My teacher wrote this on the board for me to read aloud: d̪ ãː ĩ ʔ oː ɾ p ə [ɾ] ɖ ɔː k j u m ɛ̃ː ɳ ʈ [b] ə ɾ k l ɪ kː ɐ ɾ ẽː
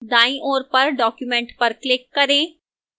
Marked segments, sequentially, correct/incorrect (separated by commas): correct, incorrect